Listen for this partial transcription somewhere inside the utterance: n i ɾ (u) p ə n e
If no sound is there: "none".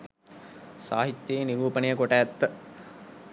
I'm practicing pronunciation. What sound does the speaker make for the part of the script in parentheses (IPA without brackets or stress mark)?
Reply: uː